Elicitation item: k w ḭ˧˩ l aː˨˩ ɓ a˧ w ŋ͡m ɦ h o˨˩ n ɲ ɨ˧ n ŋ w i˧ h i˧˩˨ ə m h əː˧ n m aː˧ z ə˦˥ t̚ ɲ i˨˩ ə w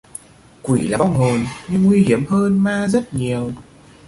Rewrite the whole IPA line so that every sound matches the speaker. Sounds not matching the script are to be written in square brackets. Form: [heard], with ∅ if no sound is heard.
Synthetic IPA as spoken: k w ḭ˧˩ l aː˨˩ ɓ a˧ w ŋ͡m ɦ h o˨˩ n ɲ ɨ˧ [ŋ] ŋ w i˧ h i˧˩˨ ə m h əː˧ n m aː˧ z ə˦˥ t̚ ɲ i˨˩ ə w